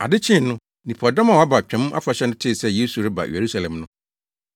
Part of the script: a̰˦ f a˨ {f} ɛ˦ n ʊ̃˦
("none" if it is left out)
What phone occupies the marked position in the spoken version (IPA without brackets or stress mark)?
ɕ